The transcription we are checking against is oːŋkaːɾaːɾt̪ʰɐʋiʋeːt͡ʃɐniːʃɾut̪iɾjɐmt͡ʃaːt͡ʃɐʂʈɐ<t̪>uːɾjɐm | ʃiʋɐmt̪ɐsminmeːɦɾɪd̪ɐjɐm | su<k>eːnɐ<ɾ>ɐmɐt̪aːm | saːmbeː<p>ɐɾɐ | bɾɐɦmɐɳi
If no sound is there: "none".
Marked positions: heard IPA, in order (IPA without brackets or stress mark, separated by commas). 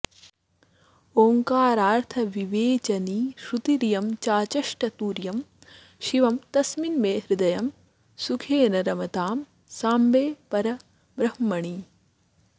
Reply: t̪, kʰ, ɾ, p